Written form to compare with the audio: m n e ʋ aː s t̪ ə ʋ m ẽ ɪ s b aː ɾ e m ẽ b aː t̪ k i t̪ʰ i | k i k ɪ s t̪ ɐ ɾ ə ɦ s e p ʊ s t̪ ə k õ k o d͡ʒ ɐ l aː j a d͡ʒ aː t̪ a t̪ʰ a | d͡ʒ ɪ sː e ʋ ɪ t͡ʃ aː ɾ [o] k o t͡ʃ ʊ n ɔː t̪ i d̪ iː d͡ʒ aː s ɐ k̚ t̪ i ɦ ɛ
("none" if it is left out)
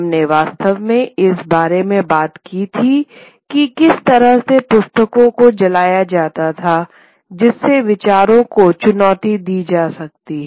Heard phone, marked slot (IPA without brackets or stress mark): õ